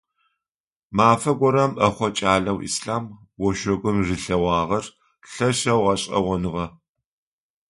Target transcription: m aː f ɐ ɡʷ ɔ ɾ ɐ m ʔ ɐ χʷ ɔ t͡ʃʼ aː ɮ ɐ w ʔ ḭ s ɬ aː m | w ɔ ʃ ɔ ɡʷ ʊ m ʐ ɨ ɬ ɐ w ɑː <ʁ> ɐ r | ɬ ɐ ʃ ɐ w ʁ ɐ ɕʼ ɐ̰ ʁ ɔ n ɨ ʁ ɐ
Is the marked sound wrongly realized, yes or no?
no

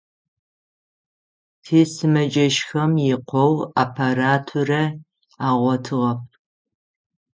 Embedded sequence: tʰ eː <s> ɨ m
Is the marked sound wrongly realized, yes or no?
no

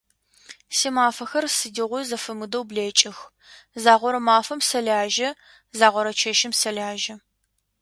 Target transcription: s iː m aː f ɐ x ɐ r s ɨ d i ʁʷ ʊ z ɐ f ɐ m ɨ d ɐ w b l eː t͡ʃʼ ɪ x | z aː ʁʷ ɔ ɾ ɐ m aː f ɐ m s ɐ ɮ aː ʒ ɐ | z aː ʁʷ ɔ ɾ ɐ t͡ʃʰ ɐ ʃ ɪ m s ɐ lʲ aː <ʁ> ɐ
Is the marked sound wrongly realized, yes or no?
yes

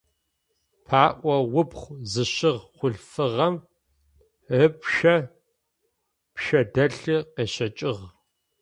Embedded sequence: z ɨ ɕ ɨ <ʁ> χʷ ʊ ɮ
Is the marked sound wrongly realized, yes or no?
no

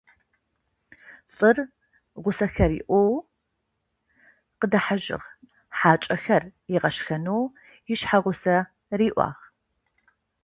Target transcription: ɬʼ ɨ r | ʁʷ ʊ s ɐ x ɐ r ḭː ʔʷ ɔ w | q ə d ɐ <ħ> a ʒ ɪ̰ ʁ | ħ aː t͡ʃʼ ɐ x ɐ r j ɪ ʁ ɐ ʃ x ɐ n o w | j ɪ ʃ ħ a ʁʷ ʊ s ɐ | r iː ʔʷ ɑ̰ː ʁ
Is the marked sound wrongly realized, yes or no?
no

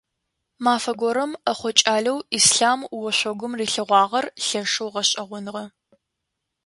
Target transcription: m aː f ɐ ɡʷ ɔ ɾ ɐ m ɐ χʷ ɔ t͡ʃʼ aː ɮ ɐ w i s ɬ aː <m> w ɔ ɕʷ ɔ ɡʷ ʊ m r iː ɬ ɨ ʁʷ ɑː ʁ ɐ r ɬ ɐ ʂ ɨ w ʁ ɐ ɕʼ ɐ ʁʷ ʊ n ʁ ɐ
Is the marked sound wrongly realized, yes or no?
no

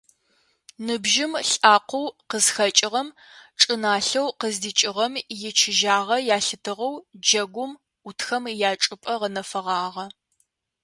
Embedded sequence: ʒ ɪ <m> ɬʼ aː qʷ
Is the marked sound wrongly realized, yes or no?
no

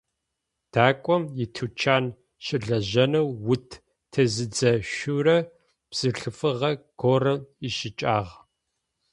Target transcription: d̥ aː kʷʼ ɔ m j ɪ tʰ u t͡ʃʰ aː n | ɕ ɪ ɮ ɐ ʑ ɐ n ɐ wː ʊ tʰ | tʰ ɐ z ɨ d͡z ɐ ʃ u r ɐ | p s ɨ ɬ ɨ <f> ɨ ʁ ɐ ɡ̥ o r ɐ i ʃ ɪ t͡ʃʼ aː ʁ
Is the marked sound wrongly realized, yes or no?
no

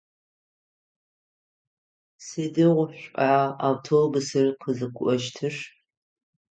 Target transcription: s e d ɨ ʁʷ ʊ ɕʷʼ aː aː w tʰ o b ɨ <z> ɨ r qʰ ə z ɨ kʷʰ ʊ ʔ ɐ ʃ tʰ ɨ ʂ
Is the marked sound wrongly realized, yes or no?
yes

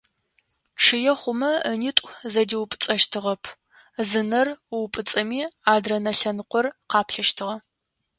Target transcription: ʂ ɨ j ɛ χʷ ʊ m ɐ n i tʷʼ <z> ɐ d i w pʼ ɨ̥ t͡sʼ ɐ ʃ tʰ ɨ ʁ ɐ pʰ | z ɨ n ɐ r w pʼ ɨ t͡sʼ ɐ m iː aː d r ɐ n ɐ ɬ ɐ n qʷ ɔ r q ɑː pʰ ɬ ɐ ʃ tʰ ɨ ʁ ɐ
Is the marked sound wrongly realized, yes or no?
no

